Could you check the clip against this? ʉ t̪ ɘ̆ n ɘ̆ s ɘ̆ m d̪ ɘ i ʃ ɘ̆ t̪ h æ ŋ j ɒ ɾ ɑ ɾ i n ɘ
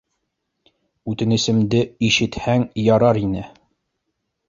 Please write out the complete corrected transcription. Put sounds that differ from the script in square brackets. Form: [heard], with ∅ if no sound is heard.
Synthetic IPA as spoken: ʉ t̪ ɘ̆ n ɘ̆ s ɘ̆ m d̪ ɘ i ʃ ɘ̆ t̪ h æ ŋ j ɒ ɾ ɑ ɾ i n ɘ